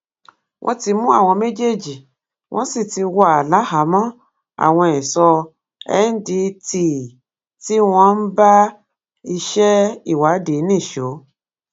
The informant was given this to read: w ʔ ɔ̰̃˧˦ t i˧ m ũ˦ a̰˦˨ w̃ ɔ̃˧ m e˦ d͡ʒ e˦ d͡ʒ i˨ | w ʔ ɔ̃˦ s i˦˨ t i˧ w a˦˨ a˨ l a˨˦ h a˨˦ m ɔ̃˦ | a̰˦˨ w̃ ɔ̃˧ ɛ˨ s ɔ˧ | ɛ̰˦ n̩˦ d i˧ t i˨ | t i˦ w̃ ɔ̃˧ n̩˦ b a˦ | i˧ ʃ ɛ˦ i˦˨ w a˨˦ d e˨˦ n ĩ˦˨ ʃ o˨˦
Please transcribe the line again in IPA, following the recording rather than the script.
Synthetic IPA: w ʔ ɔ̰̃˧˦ t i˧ m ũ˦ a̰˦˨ w̃ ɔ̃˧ m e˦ d͡ʒ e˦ d͡ʒ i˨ | w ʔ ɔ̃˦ s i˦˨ t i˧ w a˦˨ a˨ l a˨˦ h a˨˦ m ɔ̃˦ | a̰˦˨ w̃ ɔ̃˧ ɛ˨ s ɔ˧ | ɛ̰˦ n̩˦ d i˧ t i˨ | t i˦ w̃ ɔ̃˧ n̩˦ b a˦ | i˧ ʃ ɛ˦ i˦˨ w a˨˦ d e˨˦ n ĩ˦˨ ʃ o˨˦